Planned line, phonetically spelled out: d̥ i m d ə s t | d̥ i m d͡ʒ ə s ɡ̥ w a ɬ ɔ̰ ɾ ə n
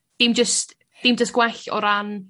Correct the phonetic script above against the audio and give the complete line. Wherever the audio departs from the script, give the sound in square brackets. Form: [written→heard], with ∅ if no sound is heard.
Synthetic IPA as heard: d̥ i m [d→d͡ʒ] ə s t | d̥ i m d͡ʒ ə s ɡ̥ w [a→ɛ] ɬ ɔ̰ ɾ [ə→a] n